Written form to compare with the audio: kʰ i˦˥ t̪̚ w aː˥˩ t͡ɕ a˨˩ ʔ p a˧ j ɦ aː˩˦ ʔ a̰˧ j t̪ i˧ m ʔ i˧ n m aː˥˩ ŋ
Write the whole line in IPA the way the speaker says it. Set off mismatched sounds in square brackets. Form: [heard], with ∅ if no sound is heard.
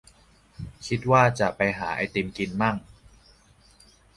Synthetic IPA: kʰ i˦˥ t̪̚ w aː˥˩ t͡ɕ a˨˩ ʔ p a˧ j ɦ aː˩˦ ʔ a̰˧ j t̪ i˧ m [k] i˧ n m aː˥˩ ŋ